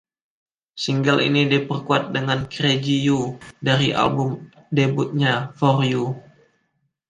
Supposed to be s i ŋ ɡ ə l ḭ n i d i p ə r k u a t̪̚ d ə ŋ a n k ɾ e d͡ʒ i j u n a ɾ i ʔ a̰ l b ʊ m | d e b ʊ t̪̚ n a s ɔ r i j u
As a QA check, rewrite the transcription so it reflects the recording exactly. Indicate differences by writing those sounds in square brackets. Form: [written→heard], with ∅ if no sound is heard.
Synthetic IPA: s i ŋ ɡ ə l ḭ n i d i p ə r k u a t̪̚ d ə ŋ a n k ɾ e d͡ʒ i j u [n→d] a ɾ i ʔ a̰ l b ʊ m | d e b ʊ t̪̚ [n→ɲ] a [s→f] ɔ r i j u

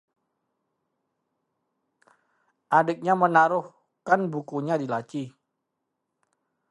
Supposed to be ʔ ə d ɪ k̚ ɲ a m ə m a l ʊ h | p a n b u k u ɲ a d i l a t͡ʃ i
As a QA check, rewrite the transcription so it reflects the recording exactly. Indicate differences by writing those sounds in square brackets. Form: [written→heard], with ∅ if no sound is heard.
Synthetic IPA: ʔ [ə→a] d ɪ k̚ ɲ a m ə [m→n] a [l→ɾ] ʊ h | [p→k] a n b u k u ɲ a d i l a t͡ʃ i

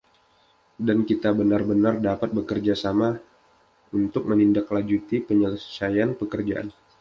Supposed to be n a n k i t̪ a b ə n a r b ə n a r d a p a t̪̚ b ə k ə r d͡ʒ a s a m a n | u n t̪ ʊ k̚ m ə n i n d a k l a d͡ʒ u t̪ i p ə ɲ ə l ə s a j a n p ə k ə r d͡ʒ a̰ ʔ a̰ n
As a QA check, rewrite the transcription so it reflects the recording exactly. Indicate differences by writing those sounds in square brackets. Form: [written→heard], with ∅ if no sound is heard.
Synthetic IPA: [n→d] a n k i t̪ a b ə n a r b ə n a r d a p a t̪̚ b ə k ə r d͡ʒ a s a m a [n→∅] | u n t̪ ʊ k̚ m ə n i n d a k l a d͡ʒ u t̪ i p ə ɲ ə l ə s a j a n p ə k ə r d͡ʒ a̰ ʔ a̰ n

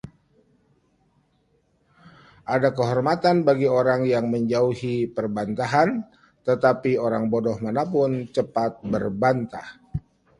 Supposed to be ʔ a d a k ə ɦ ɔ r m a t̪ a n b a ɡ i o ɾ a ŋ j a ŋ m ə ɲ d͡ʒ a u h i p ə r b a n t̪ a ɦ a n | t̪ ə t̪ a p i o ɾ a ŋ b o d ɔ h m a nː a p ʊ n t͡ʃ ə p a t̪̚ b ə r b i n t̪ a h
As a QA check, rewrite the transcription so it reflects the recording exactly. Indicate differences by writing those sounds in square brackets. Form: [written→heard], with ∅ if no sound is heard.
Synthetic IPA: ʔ a d a k ə ɦ ɔ r m a t̪ a n b a ɡ i o ɾ a ŋ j a ŋ m ə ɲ d͡ʒ a u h i p ə r b a n t̪ a ɦ a n | t̪ ə t̪ a p i o ɾ a ŋ b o d ɔ h m a [nː→n] a p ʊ n t͡ʃ ə p a t̪̚ b ə r b [i→a] n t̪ a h

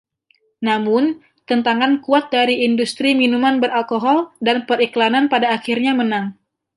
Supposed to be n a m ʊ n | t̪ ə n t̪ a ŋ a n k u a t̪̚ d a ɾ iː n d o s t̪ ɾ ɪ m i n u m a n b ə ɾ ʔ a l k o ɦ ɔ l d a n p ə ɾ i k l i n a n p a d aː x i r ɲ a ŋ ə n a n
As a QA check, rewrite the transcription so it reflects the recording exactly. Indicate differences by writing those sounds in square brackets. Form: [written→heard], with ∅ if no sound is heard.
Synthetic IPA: n a m ʊ n | t̪ ə n t̪ a ŋ a n k u a t̪̚ d a ɾ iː n d [o→u] s t̪ ɾ [ɪ→i] m i n u m a n b ə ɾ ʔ a l k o ɦ ɔ l d a n p ə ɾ i k l [i→a] n a n p a d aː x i r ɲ a [ŋ→m] ə n a [n→ŋ]

